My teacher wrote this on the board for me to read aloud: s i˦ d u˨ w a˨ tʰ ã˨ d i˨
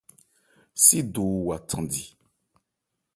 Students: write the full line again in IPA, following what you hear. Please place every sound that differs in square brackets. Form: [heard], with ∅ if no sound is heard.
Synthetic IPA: s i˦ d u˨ w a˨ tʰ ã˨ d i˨